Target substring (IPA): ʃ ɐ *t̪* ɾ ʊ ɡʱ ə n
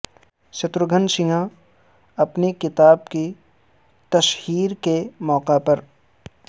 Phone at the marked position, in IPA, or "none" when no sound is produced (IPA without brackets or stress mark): t̪